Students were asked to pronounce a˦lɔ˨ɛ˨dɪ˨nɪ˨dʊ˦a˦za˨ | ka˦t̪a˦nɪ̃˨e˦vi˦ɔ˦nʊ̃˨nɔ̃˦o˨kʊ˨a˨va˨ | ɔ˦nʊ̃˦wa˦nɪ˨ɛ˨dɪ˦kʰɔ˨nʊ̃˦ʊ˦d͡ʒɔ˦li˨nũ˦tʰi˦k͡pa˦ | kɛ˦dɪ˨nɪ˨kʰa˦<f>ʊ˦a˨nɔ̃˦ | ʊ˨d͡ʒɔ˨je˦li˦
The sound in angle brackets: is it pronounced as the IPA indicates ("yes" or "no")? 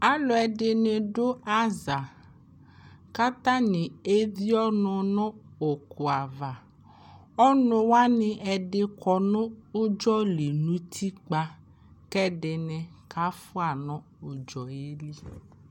yes